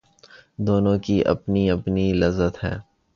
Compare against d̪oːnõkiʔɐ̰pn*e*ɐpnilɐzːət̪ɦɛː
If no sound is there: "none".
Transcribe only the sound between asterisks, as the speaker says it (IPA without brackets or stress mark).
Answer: i